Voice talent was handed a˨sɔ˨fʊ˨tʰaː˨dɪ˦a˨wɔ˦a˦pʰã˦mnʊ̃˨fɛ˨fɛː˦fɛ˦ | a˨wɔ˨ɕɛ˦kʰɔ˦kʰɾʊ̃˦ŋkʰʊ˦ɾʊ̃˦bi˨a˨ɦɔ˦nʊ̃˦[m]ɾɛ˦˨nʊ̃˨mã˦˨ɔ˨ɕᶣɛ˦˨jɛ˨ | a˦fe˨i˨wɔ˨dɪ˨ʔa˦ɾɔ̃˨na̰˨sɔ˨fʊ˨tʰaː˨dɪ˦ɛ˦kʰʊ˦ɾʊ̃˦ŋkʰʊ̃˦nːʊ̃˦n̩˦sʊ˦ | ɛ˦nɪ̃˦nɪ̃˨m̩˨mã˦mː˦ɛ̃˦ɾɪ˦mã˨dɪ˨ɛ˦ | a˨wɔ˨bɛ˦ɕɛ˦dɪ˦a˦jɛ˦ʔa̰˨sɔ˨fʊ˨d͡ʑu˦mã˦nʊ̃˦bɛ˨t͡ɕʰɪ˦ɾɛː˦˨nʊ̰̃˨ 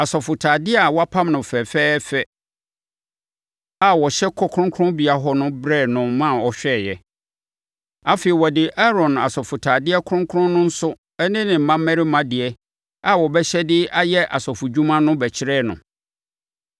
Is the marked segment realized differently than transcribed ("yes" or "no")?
yes